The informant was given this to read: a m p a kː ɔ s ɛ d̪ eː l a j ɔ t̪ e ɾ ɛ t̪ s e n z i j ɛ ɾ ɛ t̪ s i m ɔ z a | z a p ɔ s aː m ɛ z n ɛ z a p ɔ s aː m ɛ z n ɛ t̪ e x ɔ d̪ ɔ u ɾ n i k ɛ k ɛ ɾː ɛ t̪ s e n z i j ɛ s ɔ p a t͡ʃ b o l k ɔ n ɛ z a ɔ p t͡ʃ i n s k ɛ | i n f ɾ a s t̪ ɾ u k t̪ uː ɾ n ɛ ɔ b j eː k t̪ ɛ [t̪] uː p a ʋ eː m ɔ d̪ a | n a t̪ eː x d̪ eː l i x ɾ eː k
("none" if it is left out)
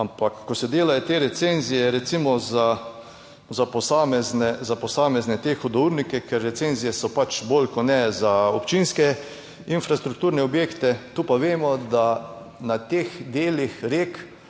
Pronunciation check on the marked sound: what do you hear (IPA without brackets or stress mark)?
t̪